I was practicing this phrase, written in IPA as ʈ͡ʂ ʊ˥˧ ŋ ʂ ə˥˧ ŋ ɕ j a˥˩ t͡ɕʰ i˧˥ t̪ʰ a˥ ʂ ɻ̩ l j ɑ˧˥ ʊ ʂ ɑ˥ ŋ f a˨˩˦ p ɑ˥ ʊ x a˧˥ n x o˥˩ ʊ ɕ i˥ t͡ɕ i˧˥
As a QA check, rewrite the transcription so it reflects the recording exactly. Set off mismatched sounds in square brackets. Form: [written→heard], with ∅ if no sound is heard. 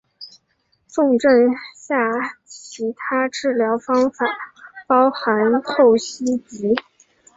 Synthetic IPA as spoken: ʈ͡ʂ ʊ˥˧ ŋ [ʂ→ʈ͡ʂ] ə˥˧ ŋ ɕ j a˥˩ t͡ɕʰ i˧˥ t̪ʰ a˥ [ʂ→ʈ͡ʂ] ɻ̩ l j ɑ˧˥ ʊ [ʂ→f] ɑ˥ ŋ f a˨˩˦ p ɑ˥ ʊ x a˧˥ n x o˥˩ ʊ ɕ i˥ t͡ɕ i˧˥